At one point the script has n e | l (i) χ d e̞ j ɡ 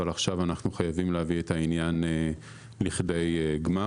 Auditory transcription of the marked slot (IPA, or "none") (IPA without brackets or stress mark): i